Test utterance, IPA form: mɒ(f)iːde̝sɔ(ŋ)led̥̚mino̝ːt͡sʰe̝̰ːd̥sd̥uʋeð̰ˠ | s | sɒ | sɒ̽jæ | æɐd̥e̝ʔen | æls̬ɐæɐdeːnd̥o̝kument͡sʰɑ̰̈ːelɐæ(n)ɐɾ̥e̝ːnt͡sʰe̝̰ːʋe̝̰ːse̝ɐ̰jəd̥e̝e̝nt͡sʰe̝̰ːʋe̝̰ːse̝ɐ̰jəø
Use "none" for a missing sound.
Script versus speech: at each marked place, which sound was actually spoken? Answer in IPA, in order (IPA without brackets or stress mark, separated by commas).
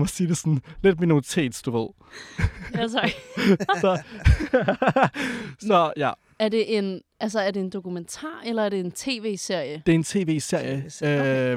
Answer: s, n, none